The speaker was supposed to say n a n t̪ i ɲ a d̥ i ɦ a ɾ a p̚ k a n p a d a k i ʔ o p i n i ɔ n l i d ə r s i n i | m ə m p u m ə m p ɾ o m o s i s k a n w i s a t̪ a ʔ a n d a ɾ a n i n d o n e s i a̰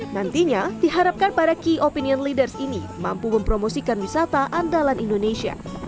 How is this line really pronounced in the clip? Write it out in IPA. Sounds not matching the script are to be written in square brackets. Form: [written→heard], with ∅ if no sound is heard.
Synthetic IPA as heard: n a n t̪ i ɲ a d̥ i ɦ a ɾ a p̚ k a n p a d a k i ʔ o p i n i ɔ n l i d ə r s i n i | m [ə→a] m p u m ə m p ɾ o m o s i [s→∅] k a n w i s a t̪ a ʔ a n d a [ɾ→l] a n i n d o n e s i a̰